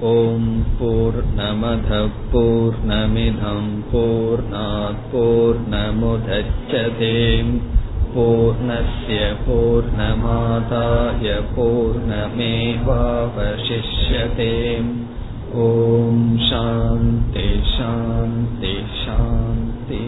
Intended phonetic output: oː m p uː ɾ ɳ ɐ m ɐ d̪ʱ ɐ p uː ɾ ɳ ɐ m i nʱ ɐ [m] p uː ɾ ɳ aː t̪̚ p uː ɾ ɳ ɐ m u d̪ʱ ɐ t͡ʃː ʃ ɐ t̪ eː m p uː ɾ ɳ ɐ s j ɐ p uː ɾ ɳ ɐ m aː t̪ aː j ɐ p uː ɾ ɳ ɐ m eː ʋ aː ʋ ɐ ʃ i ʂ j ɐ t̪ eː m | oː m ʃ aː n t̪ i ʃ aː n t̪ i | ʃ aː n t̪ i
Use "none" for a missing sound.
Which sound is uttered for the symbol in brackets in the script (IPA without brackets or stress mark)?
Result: m